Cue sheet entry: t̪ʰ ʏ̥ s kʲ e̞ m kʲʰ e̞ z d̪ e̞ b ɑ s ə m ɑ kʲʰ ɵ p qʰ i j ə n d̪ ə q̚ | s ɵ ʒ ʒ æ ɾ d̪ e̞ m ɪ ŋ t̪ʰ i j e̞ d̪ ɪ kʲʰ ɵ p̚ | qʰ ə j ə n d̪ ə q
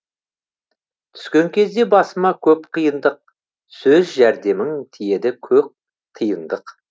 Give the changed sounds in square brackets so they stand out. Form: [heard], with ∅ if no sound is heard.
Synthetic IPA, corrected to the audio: t̪ʰ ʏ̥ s kʲ e̞ [ŋ] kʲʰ e̞ z d̪ e̞ b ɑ s ə m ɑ kʲʰ ɵ p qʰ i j ə n d̪ ə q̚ | s ɵ [z] ʒ æ ɾ d̪ e̞ m ɪ ŋ t̪ʰ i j e̞ d̪ ɪ kʲʰ ɵ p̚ | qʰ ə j ə n d̪ ə q